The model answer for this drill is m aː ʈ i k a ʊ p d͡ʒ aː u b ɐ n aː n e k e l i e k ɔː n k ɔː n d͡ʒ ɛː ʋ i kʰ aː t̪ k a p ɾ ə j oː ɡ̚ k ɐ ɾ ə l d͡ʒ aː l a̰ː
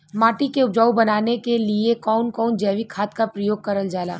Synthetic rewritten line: m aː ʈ i k e ʊ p d͡ʒ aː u b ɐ n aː n e k e l i e k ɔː n k ɔː n d͡ʒ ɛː ʋ i kʰ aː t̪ k a p ɾ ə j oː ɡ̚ k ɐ ɾ ə l d͡ʒ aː l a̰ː